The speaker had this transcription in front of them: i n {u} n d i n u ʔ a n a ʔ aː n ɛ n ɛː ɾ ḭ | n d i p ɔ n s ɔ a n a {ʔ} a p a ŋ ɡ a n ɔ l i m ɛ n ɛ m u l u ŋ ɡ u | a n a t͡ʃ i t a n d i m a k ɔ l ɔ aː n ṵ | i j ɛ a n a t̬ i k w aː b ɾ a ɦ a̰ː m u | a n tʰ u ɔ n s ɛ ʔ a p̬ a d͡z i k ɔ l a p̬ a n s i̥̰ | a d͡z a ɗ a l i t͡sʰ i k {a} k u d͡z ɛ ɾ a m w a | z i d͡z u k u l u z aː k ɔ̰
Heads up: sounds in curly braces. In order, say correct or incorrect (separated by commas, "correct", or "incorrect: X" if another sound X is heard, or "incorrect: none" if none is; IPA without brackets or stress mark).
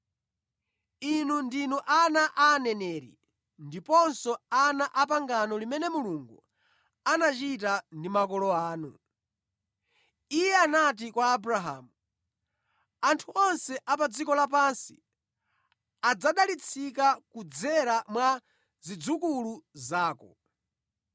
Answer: correct, correct, correct